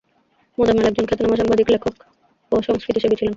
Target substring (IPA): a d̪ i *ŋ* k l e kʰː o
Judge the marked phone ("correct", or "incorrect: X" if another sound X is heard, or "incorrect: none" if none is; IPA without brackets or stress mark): incorrect: none